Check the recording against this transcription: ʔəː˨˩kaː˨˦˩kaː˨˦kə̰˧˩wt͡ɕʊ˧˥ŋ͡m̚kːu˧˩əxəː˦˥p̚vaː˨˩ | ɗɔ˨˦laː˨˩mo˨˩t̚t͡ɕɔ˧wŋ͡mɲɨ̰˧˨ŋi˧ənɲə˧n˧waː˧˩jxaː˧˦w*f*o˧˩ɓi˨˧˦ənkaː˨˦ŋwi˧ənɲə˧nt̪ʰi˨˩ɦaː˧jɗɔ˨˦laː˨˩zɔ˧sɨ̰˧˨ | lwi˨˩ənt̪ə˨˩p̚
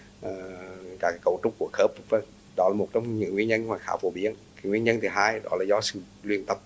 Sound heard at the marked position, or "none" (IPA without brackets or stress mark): f